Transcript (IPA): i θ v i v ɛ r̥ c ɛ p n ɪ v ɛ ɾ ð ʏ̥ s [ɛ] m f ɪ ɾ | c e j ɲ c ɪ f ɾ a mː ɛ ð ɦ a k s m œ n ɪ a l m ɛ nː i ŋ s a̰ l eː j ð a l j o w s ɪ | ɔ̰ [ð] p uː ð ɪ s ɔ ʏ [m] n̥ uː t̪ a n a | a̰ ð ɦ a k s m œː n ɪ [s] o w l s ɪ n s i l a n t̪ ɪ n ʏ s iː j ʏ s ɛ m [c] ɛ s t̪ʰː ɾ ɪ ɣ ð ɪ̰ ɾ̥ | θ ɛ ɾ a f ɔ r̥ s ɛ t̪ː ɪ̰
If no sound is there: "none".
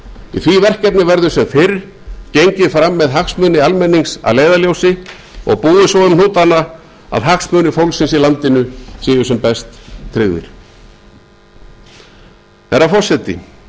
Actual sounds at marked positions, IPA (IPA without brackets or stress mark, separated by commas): ɛ, ɣ, m, f, p